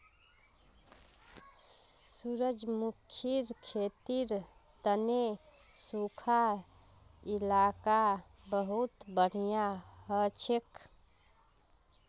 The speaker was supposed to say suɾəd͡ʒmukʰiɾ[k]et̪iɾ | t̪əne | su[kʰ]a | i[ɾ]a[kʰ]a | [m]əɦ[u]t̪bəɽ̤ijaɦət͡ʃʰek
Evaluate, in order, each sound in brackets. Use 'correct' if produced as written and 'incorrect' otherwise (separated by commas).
incorrect, correct, incorrect, incorrect, incorrect, correct